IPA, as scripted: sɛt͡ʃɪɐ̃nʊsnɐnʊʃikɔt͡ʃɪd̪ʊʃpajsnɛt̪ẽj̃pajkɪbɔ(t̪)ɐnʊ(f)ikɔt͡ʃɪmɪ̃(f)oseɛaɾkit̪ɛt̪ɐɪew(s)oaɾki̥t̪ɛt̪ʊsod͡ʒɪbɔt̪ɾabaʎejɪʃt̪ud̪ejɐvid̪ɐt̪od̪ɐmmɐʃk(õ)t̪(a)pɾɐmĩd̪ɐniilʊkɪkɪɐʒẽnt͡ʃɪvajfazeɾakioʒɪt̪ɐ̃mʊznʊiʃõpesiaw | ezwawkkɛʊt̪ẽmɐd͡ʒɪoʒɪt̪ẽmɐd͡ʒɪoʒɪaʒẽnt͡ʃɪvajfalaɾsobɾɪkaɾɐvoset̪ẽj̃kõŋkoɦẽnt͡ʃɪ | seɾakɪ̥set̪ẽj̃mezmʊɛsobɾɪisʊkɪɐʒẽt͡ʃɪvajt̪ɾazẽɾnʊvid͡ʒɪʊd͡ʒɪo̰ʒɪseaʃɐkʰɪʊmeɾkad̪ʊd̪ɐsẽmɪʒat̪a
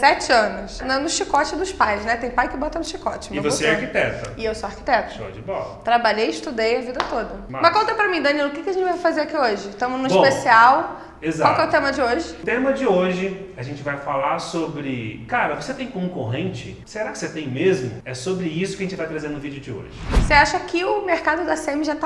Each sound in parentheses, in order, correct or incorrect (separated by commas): correct, incorrect, incorrect, correct, correct, incorrect